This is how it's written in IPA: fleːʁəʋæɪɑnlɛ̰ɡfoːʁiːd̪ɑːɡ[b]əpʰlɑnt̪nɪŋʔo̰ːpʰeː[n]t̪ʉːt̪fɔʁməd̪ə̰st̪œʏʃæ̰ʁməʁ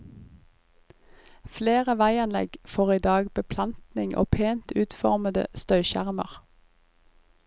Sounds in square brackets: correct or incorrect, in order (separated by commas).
correct, correct